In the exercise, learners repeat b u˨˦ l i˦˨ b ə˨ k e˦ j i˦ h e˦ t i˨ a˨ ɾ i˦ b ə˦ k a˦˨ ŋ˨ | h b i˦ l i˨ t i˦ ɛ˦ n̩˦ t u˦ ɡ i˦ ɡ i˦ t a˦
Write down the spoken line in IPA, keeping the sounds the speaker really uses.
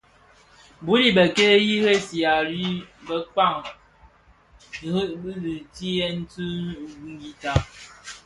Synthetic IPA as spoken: b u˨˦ l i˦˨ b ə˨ k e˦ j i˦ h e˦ s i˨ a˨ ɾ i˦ b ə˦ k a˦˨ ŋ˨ | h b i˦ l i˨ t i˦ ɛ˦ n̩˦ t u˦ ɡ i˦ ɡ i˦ t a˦